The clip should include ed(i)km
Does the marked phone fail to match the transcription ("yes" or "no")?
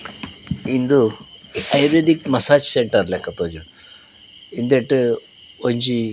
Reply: no